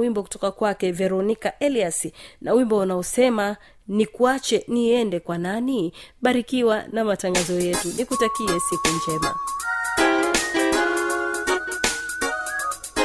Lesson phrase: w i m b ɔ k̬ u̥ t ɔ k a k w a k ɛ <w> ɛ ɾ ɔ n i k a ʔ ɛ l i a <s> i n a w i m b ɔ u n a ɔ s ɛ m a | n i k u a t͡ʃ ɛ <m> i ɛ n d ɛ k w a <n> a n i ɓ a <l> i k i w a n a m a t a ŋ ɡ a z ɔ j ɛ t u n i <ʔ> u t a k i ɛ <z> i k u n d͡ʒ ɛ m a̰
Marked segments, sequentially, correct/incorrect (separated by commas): incorrect, correct, incorrect, correct, incorrect, incorrect, incorrect